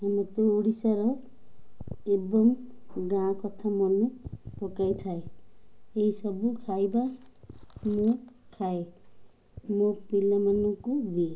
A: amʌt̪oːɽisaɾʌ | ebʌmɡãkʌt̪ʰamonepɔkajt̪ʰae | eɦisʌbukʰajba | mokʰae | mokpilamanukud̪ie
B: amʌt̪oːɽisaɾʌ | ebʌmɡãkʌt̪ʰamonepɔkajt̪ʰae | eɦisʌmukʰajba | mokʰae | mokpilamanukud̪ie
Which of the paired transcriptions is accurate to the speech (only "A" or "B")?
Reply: A